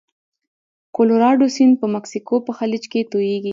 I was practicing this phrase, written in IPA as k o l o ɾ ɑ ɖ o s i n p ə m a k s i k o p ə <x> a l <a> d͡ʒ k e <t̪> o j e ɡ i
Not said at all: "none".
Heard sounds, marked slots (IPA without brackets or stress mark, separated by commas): x, i, t̪